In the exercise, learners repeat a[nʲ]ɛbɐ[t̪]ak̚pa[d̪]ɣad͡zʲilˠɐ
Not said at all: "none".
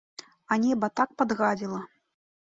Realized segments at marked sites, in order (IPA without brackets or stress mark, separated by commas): nʲ, t̪, d̪